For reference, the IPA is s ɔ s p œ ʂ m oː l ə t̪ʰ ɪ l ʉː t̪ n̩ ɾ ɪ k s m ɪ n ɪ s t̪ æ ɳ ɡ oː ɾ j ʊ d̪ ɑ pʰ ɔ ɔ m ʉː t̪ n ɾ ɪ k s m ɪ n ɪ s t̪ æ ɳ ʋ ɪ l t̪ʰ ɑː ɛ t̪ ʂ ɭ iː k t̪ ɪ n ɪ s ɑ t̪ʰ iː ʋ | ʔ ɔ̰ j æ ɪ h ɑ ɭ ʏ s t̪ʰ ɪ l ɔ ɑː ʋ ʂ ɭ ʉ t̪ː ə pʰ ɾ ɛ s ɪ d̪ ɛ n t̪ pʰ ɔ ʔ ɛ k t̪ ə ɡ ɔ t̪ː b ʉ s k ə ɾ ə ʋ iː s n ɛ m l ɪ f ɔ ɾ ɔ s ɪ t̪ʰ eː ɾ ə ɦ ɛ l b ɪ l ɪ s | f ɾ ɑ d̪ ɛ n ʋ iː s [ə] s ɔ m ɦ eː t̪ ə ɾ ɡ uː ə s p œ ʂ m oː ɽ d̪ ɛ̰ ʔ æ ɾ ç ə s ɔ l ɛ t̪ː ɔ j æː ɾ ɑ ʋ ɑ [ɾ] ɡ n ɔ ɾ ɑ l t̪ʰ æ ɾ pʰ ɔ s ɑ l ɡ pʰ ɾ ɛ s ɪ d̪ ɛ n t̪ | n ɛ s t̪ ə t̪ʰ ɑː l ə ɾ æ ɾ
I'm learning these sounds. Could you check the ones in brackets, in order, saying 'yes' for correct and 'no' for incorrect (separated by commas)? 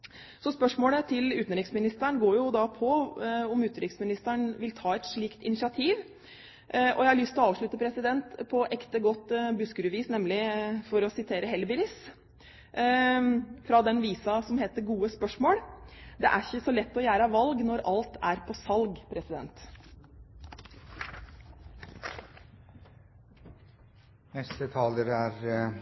no, no